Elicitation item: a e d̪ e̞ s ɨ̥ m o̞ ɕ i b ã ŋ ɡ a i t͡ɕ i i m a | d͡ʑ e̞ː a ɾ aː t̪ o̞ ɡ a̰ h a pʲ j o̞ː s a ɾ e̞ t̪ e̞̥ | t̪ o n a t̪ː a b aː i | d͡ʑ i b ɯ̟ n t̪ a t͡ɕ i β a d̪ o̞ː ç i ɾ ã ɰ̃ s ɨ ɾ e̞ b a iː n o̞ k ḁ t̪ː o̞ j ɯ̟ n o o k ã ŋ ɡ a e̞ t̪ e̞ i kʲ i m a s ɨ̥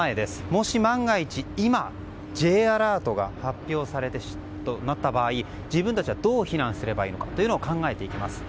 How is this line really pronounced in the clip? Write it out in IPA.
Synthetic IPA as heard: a e d̪ e̞ s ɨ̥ m o̞ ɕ i m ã ŋ ɡ a i t͡ɕ i i m a | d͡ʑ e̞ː a ɾ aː t̪ o̞ ɡ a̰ h a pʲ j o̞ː s a ɾ e̞ t̪ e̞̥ | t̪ o n a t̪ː a b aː i | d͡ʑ i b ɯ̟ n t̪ a t͡ɕ i β a d̪ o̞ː ç i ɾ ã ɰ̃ s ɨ ɾ e̞ b a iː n o̞ k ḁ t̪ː o̞ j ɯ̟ n o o k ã ŋ ɡ a e̞ t̪ e̞ i kʲ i m a s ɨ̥